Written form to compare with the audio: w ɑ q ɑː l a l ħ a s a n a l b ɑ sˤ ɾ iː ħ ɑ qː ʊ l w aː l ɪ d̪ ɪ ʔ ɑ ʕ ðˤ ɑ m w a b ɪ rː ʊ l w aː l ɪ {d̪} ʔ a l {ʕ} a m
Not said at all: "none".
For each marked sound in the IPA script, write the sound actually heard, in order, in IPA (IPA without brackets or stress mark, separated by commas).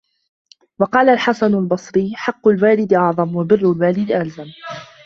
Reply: d̪, z